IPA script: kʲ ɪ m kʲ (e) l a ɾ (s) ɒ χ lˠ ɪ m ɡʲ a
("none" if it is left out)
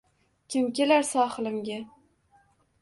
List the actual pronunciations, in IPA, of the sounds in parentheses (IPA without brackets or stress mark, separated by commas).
e, s